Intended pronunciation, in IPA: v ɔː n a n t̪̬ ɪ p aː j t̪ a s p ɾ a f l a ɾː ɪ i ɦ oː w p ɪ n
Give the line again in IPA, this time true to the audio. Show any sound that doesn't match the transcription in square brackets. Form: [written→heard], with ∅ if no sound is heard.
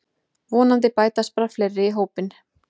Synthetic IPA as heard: v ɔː n a n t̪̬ ɪ p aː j t̪ a s p ɾ a f l [a→ɛ] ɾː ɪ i ɦ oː w p ɪ n